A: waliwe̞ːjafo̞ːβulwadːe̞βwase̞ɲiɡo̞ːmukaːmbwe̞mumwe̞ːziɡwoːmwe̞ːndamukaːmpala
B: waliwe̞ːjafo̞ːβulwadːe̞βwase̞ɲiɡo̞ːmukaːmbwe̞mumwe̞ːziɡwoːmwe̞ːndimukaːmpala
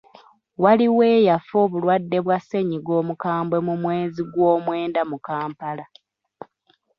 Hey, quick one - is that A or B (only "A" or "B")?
A